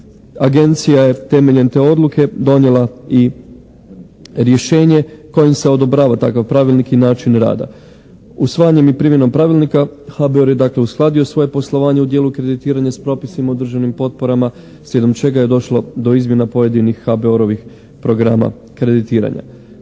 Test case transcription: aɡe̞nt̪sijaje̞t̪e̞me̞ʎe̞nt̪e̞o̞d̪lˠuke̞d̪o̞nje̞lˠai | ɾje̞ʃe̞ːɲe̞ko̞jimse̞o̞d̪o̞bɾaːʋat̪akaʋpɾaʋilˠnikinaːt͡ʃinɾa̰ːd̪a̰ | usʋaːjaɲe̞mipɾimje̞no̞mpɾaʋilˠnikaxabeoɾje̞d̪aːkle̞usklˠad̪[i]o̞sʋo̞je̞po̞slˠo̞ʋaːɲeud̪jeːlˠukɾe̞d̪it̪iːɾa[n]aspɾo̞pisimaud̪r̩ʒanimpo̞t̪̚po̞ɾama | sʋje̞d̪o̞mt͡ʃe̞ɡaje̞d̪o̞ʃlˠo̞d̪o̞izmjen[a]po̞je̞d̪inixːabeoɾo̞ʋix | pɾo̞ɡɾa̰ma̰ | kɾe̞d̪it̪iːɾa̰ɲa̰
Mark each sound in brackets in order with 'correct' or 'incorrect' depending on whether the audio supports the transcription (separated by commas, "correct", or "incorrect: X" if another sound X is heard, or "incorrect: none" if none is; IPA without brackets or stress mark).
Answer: correct, incorrect: ɲ, correct